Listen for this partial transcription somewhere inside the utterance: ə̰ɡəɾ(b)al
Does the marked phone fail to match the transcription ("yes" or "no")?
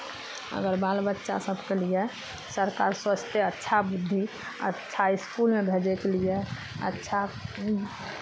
no